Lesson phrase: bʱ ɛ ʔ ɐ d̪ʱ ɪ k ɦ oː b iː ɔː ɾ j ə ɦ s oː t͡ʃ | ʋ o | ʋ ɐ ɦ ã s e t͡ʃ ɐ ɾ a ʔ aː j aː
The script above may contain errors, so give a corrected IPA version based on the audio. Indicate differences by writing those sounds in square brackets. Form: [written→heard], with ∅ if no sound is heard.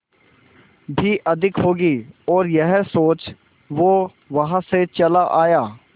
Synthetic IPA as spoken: bʱ [ɛ→i] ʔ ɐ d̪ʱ ɪ k ɦ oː [b→ɡ] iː ɔː ɾ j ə ɦ s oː t͡ʃ | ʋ o | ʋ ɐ ɦ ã s e t͡ʃ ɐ [ɾ→l] a ʔ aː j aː